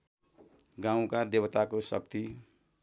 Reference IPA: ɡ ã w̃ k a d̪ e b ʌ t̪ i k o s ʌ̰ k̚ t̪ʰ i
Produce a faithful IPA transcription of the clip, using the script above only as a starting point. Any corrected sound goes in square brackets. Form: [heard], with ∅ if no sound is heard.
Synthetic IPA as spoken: ɡ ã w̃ k a d̪ e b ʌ t̪ [a] k o s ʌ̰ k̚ [t̪] i